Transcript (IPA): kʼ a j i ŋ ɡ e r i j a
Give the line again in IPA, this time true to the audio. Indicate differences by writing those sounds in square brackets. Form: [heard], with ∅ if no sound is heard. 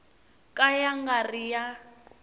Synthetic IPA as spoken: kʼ a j [a] ŋ ɡ [a] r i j a